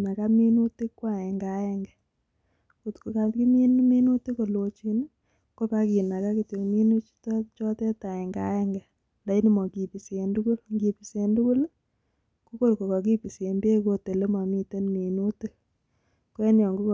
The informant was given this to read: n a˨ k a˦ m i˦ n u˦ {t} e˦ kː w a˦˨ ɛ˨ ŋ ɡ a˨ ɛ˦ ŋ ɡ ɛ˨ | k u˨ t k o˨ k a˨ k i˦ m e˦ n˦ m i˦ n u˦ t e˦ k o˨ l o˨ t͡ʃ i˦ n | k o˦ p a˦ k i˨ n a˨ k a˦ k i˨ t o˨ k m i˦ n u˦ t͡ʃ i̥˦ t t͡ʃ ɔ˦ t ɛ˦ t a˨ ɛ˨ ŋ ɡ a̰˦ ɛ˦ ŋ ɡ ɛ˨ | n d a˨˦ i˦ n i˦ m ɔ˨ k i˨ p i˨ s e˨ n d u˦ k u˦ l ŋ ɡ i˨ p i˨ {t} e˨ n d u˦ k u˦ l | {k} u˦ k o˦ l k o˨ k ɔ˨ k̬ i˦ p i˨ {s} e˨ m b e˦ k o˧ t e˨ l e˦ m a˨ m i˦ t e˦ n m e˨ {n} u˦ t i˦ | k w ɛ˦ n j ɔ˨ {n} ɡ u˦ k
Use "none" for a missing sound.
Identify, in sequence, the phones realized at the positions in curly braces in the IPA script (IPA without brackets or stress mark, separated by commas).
t, s, k, s, n, ŋ